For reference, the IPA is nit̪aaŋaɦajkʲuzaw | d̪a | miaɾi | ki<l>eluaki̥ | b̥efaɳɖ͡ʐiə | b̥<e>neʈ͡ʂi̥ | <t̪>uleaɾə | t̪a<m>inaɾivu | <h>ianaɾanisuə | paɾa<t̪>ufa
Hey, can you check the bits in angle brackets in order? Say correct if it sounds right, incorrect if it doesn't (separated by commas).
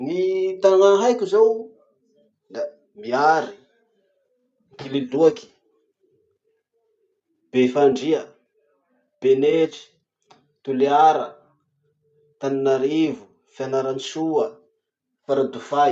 correct, correct, correct, incorrect, incorrect, incorrect